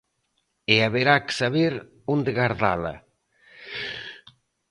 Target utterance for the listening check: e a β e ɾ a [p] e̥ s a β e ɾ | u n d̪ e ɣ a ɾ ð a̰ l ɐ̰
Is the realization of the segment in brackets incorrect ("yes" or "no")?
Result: yes